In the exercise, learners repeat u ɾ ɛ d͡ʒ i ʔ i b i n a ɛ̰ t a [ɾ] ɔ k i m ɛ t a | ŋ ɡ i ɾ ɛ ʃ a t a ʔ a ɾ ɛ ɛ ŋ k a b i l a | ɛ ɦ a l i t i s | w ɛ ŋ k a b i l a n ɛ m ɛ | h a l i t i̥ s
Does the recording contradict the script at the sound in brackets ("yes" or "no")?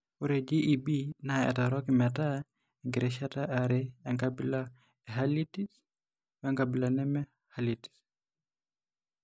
no